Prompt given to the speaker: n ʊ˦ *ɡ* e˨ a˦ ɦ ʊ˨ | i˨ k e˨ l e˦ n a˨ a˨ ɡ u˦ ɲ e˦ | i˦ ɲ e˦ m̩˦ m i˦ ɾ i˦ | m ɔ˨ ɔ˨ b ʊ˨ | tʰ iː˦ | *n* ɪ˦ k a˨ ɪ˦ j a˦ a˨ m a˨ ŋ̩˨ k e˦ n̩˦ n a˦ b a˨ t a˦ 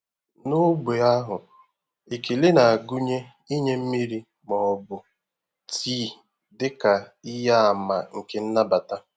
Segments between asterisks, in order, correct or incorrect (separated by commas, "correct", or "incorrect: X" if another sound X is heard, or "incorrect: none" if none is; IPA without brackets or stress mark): incorrect: ɡ͡b, incorrect: d